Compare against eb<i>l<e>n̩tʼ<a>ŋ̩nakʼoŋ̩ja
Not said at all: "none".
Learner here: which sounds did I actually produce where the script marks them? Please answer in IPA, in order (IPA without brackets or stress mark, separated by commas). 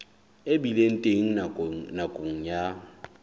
i, e, e